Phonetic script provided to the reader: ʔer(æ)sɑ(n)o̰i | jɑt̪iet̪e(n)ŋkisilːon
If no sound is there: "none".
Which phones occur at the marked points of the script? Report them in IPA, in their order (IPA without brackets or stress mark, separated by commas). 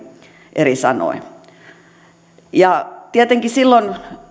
i, n, none